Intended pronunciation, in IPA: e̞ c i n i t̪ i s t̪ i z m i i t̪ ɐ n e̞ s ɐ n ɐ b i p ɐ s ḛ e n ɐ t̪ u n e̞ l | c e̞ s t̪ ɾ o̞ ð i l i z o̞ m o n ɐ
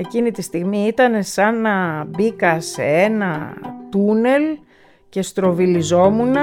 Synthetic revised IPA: e̞ c i n i t̪ i s t̪ i ɣ m i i t̪ ɐ n e̞ s ɐ n ɐ b i k ɐ s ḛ e n ɐ t̪ u n e̞ l | c e̞ s t̪ ɾ o̞ v i l i z o̞ m u n ɐ